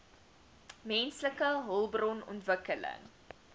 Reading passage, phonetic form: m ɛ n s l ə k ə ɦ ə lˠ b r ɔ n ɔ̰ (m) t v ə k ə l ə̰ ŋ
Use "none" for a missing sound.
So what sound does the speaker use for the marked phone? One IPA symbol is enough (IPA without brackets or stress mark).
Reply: n